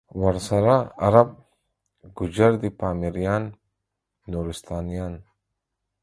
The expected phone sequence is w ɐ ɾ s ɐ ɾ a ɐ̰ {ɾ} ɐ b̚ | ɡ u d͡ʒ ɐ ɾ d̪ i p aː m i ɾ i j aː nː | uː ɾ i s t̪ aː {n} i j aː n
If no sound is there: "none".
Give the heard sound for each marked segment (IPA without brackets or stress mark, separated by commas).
ɾ, n